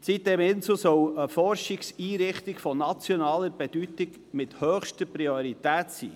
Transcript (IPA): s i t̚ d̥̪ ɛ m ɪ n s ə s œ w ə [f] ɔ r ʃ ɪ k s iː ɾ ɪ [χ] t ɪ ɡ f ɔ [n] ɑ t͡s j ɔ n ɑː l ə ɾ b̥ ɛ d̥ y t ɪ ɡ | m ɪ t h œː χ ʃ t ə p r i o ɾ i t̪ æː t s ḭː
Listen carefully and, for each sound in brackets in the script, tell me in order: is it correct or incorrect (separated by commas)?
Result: correct, correct, correct